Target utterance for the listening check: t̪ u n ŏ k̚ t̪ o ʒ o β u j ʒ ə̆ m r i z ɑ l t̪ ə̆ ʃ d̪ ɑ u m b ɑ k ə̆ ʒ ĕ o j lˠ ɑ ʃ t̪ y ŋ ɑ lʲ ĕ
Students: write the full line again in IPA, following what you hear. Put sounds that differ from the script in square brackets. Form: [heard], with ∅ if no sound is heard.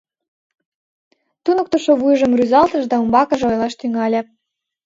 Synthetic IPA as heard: t̪ u n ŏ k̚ t̪ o [ʃ] o β u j ʒ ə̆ m r [y] z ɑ l t̪ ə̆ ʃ d̪ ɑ u m b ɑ k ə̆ ʒ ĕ o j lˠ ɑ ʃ t̪ y ŋ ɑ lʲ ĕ